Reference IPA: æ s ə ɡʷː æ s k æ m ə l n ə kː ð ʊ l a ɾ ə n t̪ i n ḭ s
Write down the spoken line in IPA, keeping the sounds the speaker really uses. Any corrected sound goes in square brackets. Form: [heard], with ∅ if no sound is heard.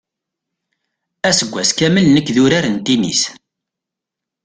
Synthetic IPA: æ s ə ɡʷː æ s k æ m ə l n ə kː ð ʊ [ɾ] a ɾ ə n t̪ i n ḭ s